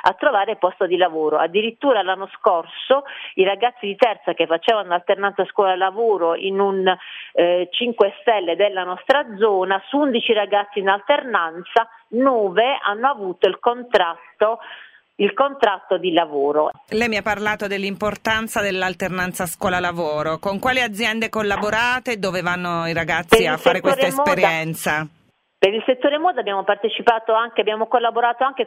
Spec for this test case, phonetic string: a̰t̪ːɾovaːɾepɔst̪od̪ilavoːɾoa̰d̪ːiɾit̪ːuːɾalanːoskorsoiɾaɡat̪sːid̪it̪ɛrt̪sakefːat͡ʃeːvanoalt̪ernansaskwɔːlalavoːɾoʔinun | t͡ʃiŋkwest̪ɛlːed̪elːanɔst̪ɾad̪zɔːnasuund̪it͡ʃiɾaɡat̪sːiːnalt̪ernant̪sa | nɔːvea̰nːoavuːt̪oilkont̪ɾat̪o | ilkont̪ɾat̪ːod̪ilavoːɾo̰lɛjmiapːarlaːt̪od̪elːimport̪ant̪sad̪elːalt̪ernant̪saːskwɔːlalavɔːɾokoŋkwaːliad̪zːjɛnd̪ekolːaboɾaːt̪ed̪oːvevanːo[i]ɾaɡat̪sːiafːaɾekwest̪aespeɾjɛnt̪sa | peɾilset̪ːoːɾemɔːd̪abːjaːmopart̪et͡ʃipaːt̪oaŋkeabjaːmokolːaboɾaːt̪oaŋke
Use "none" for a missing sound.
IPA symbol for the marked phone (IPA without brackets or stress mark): i